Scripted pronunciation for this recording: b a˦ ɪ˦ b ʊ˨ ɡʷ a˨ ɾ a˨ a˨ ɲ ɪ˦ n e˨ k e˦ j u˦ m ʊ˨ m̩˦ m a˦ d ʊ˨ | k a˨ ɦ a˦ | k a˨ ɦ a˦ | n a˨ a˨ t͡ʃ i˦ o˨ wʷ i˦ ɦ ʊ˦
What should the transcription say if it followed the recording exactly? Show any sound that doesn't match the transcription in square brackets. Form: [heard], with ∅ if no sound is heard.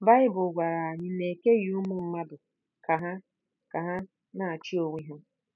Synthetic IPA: b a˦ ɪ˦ b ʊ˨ ɡʷ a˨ ɾ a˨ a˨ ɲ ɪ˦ n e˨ k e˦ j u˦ m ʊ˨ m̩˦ m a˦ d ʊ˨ | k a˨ ɦ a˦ | k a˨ ɦ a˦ | n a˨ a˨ t͡ʃ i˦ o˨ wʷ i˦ ɦ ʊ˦